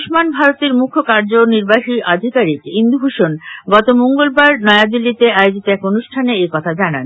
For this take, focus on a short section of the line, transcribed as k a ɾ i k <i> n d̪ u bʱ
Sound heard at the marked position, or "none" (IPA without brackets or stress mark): i